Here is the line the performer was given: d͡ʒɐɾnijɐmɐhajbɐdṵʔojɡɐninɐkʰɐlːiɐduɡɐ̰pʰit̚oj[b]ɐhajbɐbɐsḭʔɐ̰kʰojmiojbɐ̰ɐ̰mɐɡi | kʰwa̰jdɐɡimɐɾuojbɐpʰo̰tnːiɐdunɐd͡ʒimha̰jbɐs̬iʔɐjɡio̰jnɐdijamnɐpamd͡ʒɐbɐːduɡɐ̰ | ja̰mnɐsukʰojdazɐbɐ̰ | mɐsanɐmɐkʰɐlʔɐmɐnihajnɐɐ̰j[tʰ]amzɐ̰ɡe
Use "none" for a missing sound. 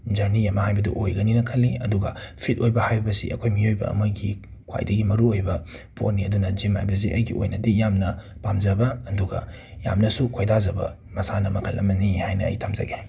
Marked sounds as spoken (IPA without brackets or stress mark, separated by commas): b, tʰ